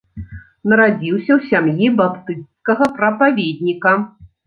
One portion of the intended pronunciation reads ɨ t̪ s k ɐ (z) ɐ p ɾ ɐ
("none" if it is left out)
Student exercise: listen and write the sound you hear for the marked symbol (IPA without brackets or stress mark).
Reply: ɣ